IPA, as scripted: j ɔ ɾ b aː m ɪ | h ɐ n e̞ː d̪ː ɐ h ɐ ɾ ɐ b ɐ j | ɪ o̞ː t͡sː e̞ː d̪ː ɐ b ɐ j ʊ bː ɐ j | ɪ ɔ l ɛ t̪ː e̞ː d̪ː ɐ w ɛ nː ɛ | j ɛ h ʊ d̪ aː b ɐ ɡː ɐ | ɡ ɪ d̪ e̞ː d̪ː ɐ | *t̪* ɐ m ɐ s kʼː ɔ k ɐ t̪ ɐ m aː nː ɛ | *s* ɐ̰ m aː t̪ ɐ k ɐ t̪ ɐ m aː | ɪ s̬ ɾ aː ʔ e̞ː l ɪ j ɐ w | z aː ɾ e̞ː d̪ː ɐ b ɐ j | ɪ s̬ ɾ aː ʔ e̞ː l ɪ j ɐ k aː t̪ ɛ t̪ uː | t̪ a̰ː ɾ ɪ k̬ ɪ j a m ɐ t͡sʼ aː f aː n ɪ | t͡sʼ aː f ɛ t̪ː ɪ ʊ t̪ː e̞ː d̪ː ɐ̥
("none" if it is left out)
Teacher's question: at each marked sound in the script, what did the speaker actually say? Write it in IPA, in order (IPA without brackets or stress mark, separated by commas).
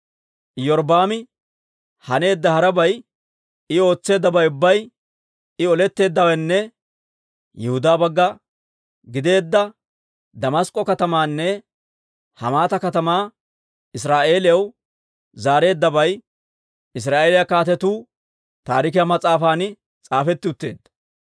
d̪, h